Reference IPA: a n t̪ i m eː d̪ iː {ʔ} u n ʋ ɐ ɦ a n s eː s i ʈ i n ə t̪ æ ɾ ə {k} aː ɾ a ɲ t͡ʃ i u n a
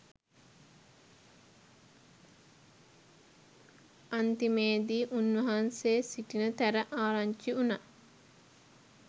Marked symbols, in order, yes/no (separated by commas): yes, no